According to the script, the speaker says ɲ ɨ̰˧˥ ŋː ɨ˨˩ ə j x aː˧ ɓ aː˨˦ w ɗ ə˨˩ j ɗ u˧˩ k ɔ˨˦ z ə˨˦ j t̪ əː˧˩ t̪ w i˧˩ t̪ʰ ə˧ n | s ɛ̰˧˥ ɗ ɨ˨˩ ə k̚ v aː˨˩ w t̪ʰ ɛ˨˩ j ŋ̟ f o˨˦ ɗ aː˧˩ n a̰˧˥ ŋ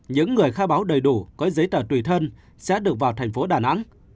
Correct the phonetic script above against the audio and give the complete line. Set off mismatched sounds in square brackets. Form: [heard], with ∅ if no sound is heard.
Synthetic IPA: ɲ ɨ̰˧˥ ŋː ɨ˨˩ ə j x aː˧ ɓ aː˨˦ w ɗ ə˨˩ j ɗ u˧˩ k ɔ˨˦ z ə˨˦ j t̪ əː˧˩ t̪ w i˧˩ t̪ʰ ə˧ n | s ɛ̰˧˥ ɗ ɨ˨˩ ə k̚ v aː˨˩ w t̪ʰ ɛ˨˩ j ŋ̟ f o˨˦ ɗ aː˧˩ n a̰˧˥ ŋ